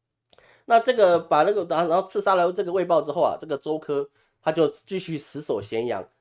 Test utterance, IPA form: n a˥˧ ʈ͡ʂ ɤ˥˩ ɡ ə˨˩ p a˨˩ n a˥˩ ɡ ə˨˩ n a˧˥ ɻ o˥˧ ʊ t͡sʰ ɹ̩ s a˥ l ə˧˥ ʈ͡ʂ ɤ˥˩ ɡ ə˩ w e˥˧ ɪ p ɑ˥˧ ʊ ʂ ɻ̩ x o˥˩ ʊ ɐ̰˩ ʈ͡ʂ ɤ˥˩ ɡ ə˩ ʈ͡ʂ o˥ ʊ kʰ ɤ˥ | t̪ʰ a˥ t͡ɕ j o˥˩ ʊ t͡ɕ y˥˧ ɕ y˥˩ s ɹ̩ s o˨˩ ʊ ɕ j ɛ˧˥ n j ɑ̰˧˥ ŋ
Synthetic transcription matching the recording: n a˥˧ ʈ͡ʂ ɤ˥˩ ɡ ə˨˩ p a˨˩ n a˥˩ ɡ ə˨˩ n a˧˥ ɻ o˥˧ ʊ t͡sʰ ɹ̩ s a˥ l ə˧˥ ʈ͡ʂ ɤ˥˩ ɡ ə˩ w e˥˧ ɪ p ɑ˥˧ ʊ ʈ͡ʂ ɻ̩ x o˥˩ ʊ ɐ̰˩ ʈ͡ʂ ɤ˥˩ ɡ ə˩ ʈ͡ʂ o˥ ʊ kʰ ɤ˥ | t̪ʰ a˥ t͡ɕ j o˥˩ ʊ t͡ɕ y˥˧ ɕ y˥˩ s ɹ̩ s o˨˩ ʊ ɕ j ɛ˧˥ n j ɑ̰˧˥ ŋ